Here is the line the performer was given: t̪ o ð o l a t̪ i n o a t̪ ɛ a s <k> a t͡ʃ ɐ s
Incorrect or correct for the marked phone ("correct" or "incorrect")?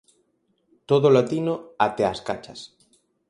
correct